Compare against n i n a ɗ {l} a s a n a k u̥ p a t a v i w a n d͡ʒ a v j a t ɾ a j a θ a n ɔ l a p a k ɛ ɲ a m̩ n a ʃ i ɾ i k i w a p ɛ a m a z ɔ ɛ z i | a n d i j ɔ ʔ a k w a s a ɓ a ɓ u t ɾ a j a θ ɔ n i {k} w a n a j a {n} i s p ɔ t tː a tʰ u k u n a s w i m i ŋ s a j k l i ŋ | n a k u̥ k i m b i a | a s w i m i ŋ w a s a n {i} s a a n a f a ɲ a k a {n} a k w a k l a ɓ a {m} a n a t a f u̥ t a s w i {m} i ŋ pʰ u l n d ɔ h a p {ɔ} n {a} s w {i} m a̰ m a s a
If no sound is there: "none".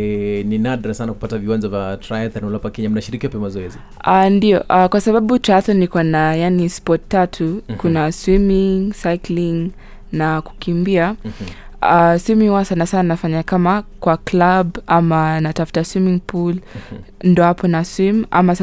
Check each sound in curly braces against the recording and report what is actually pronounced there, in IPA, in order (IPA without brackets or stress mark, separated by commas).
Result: ɾ, k, n, a, m, m, m, ɔ, a, i